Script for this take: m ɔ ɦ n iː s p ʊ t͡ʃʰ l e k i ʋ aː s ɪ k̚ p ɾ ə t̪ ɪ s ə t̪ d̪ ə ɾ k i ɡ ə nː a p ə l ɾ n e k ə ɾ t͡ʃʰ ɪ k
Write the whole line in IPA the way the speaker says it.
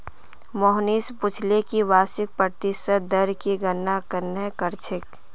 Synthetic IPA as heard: m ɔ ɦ n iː s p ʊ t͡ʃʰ l e k i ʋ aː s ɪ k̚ p ɾ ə t̪ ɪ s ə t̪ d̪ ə ɾ k i ɡ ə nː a k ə ɾ n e k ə ɾ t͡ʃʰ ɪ k